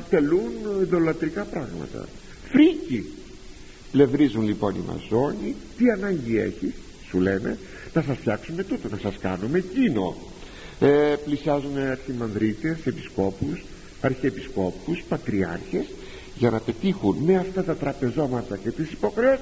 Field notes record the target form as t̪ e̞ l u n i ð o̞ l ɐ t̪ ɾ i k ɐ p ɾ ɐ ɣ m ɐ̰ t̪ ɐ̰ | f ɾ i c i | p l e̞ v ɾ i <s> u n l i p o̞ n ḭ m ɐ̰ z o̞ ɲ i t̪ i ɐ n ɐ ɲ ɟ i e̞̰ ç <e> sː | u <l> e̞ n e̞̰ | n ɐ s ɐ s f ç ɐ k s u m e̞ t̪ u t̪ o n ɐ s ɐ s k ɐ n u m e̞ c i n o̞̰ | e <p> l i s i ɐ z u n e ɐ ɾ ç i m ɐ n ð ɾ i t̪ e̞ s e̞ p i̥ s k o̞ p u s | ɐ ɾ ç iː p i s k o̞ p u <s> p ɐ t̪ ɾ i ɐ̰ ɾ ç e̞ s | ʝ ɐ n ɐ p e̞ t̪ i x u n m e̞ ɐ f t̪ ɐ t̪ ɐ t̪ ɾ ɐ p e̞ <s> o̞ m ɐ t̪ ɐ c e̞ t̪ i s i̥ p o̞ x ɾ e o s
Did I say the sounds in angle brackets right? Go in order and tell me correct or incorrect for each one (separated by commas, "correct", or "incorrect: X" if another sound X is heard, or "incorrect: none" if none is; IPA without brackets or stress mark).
incorrect: z, incorrect: i, correct, correct, correct, incorrect: z